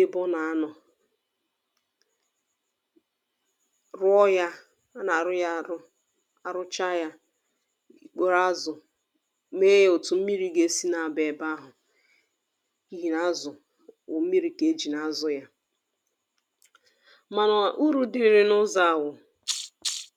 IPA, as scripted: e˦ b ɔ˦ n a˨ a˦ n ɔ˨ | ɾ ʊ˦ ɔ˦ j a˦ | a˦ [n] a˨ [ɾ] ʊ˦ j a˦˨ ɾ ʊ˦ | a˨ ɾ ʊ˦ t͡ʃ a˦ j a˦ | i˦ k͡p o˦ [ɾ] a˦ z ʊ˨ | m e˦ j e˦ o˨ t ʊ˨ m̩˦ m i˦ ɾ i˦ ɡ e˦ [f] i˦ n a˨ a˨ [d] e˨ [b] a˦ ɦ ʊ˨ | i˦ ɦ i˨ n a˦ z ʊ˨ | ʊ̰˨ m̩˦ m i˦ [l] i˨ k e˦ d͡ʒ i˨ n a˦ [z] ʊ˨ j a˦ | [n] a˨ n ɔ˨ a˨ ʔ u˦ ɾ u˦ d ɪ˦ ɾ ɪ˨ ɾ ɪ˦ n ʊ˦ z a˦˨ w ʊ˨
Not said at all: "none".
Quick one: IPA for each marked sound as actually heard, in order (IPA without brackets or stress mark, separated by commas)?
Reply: n, ɾ, ɾ, s, b, b, ɾ, z, m